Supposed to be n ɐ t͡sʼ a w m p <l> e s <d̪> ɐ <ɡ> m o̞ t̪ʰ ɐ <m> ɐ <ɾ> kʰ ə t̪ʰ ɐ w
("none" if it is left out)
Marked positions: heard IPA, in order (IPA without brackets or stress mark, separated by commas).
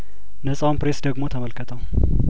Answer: ɾ, d̪, ɡ, m, l